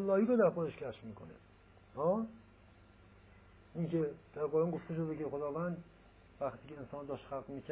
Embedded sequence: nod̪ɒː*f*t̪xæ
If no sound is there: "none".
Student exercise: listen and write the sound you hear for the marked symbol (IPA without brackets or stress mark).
ʃ